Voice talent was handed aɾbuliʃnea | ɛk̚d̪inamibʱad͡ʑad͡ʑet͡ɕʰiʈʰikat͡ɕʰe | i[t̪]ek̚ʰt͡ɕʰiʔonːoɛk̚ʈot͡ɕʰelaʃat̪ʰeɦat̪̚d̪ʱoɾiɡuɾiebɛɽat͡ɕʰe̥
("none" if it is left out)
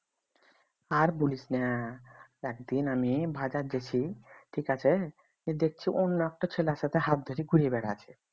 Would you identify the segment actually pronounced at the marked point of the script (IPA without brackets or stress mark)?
d̪